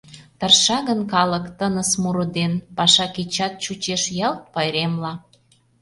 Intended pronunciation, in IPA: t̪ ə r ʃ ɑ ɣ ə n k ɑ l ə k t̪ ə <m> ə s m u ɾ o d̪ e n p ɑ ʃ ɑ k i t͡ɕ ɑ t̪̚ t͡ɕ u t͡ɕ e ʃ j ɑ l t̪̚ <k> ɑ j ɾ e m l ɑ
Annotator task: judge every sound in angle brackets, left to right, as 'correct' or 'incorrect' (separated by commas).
incorrect, incorrect